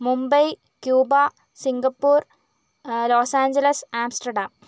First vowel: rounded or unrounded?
rounded